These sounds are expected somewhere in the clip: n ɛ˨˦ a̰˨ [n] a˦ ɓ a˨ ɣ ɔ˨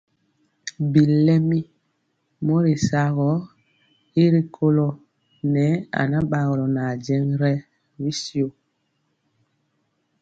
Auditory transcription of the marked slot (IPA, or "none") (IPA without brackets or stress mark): n